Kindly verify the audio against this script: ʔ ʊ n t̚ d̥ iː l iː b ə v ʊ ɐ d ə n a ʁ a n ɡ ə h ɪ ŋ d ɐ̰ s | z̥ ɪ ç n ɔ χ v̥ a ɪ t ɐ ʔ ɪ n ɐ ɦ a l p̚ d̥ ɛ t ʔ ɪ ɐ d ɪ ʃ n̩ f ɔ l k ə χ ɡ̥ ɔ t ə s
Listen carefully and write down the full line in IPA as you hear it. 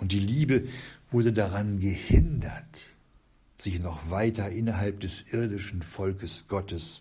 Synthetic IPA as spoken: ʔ ʊ n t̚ d̥ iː l iː b ə v ʊ ɐ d ə d a ʁ a n ɡ ə h ɪ n d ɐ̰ t | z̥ ɪ ç n ɔ χ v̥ a ɪ t ɐ ʔ ɪ n ɐ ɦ a l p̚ d̥ ɛ s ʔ ɪ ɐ d ɪ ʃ n̩ f ɔ l k ə s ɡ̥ ɔ t ə s